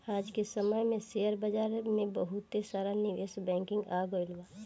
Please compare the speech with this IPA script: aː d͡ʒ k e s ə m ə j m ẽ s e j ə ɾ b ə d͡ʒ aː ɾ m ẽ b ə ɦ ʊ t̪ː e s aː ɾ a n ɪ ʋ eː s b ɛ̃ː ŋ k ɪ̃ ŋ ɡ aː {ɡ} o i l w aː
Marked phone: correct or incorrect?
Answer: correct